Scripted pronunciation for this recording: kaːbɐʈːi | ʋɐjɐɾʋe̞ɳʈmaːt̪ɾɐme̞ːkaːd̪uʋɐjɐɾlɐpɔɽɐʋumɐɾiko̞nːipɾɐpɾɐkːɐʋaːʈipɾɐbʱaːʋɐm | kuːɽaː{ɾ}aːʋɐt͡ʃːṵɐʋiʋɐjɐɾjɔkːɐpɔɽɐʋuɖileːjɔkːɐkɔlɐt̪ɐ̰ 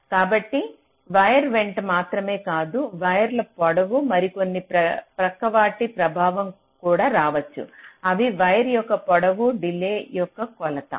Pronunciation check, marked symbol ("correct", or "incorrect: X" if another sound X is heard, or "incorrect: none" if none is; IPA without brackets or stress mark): correct